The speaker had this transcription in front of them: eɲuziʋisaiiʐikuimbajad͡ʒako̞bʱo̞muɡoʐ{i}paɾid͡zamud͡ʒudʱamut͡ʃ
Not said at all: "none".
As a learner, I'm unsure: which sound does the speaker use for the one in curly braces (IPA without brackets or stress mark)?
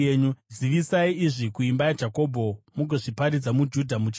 i